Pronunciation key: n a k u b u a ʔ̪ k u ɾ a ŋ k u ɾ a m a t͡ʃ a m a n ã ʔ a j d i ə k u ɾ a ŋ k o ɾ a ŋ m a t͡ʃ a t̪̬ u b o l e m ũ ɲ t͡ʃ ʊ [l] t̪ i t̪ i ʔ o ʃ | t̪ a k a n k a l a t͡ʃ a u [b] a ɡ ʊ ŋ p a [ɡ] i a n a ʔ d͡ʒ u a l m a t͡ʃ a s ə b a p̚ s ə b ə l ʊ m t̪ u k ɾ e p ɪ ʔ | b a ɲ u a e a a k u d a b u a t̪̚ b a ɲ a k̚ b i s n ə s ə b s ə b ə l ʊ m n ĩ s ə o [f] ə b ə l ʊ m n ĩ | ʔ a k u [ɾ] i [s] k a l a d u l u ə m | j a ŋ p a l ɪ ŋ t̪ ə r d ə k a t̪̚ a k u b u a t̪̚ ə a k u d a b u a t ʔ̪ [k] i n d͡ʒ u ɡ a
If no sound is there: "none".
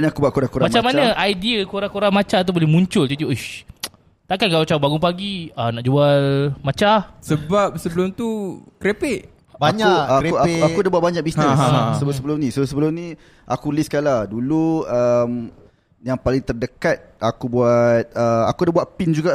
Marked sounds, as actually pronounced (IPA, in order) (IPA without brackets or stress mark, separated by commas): l, b, ɡ, s, l, s, p